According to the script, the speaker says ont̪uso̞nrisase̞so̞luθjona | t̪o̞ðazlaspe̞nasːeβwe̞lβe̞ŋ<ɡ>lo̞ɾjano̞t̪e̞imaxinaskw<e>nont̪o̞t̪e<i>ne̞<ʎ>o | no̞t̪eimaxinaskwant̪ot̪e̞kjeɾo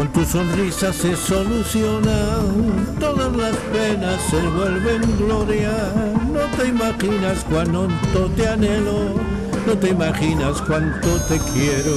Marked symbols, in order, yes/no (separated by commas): yes, no, no, no